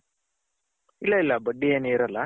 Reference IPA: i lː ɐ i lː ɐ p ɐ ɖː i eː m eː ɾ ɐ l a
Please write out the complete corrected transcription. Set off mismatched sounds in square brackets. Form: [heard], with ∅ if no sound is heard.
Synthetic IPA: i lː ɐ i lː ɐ [b] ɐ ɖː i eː [n] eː ɾ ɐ l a